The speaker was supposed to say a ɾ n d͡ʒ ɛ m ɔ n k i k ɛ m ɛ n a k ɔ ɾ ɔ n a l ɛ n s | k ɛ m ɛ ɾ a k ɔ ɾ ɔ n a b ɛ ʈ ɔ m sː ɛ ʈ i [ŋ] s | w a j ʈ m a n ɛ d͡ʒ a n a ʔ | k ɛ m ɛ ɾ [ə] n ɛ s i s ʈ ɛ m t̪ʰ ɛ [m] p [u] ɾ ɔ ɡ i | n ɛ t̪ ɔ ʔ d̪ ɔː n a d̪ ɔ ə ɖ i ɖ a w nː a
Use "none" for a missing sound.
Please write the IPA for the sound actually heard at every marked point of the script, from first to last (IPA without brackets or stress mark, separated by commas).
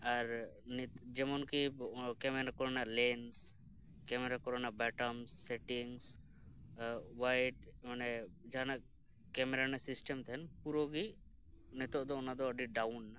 ŋ, a, n, u